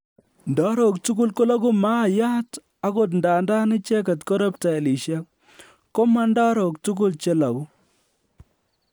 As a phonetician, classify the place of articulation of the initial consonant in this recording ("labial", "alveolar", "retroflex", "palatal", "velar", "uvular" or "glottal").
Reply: alveolar